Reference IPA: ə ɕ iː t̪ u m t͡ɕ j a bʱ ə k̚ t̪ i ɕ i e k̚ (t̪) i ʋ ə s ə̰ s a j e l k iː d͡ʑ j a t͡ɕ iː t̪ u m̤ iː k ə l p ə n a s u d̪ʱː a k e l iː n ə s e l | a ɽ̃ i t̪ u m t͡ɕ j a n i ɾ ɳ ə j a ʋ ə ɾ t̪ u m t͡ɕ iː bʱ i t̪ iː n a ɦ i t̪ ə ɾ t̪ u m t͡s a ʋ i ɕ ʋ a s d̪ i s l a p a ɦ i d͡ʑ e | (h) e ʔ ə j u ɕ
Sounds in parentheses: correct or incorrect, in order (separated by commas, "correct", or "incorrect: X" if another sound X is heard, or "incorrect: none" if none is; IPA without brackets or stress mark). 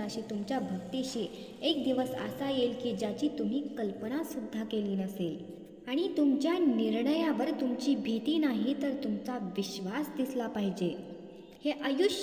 incorrect: d̪, correct